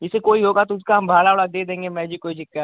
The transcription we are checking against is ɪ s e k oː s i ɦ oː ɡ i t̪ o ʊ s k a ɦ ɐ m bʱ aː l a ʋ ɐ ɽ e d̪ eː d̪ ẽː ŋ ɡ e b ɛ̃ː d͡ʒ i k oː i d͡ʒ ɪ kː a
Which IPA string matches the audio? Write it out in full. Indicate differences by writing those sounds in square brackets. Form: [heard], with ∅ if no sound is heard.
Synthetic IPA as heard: ɪ s e k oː [∅] i ɦ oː ɡ [a] t̪ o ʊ s k a ɦ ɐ m bʱ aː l a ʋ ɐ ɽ [a] d̪ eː d̪ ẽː ŋ ɡ e [m] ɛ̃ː d͡ʒ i k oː i d͡ʒ ɪ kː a